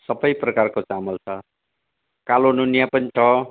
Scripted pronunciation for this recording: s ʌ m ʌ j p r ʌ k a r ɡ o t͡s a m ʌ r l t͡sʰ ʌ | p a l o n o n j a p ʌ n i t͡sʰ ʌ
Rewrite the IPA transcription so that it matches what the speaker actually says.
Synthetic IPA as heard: s ʌ b ʌ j p r ʌ k a r k o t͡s a m ʌ l t͡sʰ ʌ | k a l o n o n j a p ʌ n i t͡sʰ ʌ